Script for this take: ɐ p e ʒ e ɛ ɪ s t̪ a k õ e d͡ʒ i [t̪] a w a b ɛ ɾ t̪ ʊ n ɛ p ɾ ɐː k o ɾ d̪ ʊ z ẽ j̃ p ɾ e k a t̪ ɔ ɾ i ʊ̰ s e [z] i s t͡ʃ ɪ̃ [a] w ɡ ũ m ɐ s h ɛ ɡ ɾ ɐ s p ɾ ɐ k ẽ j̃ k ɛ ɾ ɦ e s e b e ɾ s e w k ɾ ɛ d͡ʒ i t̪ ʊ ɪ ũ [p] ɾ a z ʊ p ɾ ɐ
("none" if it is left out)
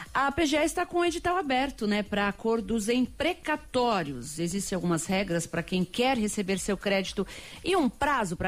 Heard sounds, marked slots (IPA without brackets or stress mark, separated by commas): t̪, z, a, p